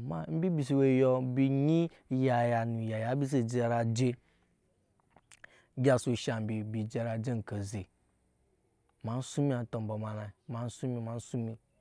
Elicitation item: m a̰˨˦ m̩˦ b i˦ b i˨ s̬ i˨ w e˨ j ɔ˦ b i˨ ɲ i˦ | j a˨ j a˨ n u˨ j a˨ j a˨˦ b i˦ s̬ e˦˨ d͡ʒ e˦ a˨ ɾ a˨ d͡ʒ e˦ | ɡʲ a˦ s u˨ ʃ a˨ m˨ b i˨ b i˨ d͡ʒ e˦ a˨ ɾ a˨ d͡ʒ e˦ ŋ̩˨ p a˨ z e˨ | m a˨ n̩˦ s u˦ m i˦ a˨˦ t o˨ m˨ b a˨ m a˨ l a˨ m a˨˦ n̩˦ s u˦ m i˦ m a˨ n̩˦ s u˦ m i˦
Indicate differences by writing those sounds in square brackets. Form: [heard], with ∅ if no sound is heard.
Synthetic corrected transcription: m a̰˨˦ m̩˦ b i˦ b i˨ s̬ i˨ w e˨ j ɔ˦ b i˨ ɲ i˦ | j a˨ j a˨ n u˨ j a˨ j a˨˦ b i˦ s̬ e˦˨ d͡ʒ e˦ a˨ ɾ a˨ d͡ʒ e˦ | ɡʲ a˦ s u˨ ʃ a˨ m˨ b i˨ b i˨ d͡ʒ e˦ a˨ ɾ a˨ d͡ʒ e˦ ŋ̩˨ [k] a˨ z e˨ | m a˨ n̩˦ s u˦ m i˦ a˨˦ t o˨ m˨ b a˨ m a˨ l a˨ m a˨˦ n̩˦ s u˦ m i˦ m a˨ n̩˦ s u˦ m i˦